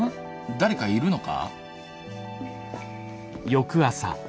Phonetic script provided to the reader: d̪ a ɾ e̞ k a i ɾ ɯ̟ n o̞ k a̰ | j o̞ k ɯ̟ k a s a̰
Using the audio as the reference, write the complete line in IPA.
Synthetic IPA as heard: d̪ a ɾ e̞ k a i ɾ ɯ̟ n o̞ k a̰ | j o̞ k ɯ̟ a s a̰